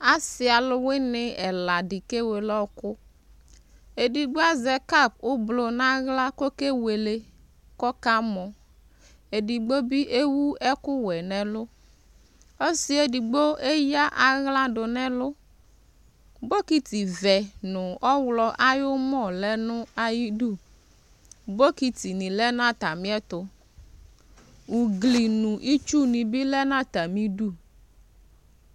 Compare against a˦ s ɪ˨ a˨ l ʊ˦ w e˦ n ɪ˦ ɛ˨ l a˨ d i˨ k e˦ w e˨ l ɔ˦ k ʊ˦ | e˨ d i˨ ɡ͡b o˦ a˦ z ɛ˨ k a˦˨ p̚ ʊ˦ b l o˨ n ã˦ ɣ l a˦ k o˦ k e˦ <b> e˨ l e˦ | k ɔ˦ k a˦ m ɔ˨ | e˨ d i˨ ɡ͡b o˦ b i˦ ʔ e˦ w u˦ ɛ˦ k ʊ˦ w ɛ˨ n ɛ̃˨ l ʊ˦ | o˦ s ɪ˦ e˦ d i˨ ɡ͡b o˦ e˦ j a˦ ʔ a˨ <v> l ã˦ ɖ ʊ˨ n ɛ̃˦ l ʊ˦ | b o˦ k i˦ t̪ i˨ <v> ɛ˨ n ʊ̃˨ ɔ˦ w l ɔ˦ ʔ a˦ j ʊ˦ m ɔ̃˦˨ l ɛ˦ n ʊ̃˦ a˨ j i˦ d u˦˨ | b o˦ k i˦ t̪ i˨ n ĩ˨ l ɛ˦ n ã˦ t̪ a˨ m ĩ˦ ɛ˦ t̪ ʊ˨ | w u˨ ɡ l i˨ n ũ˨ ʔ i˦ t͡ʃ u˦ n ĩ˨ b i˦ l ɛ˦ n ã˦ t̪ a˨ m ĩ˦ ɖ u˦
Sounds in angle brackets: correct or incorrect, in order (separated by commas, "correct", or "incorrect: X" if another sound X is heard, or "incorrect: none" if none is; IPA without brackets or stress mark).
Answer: incorrect: w, incorrect: ɣ, correct